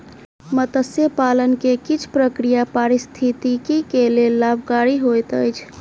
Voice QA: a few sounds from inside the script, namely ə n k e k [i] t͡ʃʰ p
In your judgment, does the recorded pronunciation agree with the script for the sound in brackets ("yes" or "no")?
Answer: yes